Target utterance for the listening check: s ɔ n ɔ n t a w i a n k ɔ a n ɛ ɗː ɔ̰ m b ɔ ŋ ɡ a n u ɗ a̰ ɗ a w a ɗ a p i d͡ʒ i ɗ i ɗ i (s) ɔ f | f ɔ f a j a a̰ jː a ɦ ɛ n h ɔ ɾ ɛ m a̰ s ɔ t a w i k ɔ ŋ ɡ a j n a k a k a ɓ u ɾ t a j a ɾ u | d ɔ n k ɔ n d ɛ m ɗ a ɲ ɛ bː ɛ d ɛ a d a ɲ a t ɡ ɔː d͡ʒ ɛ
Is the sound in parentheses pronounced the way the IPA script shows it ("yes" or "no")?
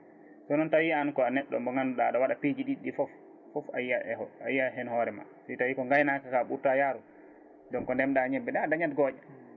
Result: no